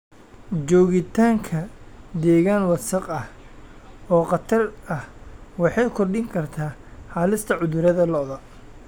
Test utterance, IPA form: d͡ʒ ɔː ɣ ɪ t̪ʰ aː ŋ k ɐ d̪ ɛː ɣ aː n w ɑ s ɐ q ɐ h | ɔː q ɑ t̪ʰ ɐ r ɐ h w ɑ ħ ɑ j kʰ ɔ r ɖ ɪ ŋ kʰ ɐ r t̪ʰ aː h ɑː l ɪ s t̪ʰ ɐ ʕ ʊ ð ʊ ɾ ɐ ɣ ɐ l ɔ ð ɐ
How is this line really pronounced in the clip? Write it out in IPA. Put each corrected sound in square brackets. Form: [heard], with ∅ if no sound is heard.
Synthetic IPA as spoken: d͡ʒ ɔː ɣ ɪ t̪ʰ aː ŋ [kʰ] ɐ d̪ ɛː ɣ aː n w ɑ s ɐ q ɐ h | ɔː q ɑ t̪ʰ ɐ r ɐ h w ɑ ħ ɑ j kʰ ɔ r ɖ ɪ ŋ kʰ ɐ r t̪ʰ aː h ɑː l ɪ s t̪ʰ ɐ ʕ ʊ ð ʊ ɾ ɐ [ð] ɐ l ɔ ð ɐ